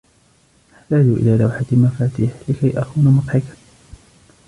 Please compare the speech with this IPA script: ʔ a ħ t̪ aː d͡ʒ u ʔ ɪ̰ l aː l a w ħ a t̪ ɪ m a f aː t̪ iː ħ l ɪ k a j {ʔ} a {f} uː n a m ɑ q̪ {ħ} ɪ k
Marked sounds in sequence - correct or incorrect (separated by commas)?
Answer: correct, incorrect, correct